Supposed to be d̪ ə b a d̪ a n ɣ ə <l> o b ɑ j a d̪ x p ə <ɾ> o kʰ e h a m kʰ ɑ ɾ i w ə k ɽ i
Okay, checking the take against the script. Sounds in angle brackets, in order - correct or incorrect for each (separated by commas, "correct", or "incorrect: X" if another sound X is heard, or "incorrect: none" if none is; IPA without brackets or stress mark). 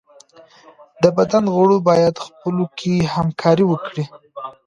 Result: incorrect: ɽ, incorrect: l